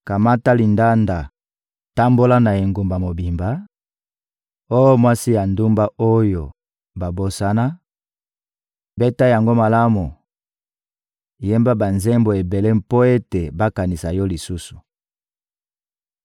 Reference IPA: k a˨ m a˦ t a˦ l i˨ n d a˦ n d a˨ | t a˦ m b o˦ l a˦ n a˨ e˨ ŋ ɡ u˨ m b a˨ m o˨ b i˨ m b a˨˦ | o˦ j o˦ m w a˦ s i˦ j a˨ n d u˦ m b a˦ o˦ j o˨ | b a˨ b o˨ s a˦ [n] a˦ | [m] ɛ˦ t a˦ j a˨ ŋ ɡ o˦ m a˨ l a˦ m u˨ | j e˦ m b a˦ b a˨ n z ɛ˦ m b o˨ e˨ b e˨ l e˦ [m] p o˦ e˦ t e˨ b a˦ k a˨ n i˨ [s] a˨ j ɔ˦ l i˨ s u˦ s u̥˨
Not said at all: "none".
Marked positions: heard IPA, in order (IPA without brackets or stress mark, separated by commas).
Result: n, b, m, s